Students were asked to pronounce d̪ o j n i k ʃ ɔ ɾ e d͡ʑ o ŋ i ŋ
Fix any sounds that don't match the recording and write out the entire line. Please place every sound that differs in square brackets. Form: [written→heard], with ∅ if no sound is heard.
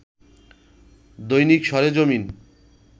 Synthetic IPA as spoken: d̪ o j n i k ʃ ɔ ɾ e d͡ʑ o [ŋ→m] i [ŋ→n]